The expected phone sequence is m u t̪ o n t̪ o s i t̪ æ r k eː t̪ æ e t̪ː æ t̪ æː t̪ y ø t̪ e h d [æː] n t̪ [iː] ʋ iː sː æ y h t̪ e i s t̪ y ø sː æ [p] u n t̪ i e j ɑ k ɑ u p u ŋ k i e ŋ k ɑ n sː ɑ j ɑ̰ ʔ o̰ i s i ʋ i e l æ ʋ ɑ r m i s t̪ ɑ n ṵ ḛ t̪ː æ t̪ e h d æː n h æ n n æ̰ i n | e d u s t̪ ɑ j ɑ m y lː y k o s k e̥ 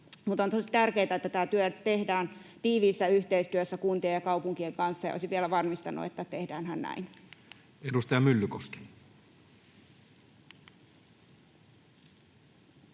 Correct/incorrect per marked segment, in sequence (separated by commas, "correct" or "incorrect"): correct, correct, incorrect